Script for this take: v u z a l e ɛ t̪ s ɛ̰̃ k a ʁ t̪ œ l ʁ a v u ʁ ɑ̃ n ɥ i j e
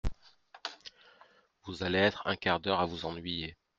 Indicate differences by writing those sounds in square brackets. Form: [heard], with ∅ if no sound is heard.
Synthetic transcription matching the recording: v u z a l e ɛ t̪ [χ] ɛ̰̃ k a ʁ [d̪] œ [∅] ʁ a v u [z] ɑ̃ n ɥ i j e

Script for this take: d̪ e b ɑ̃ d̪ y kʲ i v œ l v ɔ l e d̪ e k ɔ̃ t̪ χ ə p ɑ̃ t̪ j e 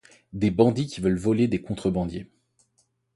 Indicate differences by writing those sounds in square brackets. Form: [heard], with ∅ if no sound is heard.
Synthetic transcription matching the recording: d̪ e b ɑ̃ d̪ [i] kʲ i v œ l v ɔ l e d̪ e k ɔ̃ t̪ χ ə [b] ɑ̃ [d̪] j e

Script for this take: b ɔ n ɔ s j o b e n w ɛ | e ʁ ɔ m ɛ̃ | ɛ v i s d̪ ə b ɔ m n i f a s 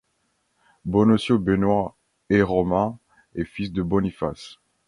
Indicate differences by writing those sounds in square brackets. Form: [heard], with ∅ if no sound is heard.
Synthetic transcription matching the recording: b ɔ n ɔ s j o b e n w [a] | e ʁ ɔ m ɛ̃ | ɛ [f] i s d̪ ə b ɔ [∅] n i f a s

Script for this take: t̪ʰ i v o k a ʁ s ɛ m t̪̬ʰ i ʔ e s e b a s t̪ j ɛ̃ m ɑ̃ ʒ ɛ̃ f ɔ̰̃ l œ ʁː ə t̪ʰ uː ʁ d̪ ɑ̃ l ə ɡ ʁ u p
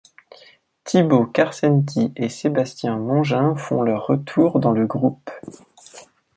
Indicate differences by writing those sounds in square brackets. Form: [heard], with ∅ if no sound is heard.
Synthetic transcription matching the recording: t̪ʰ i [b] o k a ʁ s ɛ [n] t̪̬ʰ i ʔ e s e b a s t̪ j ɛ̃ m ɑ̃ ʒ ɛ̃ f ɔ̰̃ l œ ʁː ə t̪ʰ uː ʁ d̪ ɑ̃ l ə ɡ ʁ u p

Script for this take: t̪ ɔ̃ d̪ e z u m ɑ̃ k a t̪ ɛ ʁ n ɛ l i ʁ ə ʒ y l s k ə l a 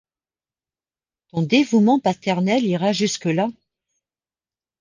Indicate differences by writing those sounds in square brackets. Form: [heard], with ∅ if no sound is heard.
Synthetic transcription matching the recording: t̪ ɔ̃ d̪ e [v] u m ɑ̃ [p] a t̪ ɛ ʁ n ɛ l i ʁ [a] ʒ y [∅] s k ə l a

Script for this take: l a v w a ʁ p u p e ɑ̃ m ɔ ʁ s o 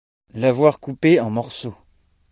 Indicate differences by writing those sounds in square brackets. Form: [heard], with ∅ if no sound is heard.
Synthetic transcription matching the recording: l a v w a ʁ [k] u p e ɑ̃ m ɔ ʁ s o

